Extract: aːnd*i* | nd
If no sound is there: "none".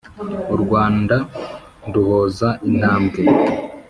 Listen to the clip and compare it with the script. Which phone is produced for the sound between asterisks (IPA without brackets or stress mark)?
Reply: a